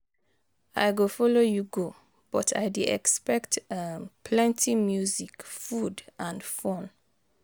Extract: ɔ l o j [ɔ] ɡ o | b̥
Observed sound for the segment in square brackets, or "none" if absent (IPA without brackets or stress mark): u